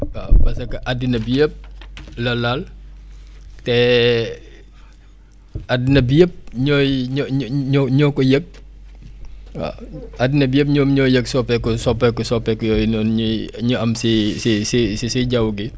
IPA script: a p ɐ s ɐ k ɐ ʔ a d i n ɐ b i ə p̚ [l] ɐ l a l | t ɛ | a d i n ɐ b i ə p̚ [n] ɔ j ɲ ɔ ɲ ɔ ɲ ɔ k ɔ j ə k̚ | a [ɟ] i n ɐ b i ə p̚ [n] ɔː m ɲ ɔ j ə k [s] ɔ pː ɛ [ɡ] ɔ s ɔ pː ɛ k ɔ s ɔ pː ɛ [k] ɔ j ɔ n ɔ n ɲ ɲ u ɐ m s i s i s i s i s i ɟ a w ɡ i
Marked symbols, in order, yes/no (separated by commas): yes, no, no, no, yes, no, yes